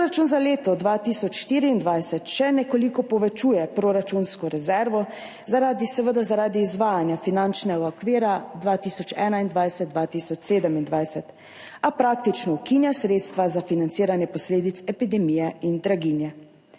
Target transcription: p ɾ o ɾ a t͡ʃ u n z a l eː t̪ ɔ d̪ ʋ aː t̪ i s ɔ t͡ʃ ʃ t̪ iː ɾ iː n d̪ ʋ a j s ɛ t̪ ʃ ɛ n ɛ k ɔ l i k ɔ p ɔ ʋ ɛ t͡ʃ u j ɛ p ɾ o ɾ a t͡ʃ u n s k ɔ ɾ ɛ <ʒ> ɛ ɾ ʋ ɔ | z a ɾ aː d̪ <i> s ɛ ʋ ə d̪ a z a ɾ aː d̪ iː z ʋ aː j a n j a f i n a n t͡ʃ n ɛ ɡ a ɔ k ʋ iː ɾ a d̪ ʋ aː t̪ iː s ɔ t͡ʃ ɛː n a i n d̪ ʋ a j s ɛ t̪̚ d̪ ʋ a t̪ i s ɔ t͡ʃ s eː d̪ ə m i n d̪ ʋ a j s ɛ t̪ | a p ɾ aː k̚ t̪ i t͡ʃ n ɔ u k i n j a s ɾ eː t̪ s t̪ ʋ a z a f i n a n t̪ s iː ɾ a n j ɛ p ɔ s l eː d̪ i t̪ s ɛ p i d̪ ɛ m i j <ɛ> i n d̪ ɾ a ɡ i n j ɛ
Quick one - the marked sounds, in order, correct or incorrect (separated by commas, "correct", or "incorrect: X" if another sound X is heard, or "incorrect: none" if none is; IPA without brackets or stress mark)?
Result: incorrect: z, correct, correct